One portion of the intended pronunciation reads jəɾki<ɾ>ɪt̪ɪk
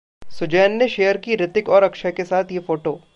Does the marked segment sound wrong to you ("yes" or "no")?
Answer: no